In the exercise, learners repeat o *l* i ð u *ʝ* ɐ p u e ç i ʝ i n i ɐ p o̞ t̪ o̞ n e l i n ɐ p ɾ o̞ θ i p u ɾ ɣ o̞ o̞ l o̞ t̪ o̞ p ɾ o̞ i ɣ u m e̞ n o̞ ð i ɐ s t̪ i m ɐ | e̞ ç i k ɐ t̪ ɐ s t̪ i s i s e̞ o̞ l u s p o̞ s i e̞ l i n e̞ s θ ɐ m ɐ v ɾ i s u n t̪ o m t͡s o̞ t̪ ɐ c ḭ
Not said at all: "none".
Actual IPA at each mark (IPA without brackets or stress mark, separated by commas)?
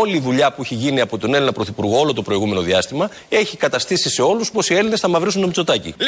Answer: l, ʎ